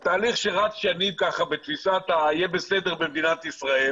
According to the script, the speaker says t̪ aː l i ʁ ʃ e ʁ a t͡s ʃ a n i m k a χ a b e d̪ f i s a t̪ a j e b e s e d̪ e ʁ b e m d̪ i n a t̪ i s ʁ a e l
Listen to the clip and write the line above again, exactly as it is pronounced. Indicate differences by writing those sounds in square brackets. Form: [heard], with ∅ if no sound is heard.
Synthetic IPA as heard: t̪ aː l i [χ] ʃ e ʁ a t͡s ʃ a n i m k a χ a b e [t̪] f i s a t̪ a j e b e s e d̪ e ʁ b e m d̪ i n a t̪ i s ʁ a e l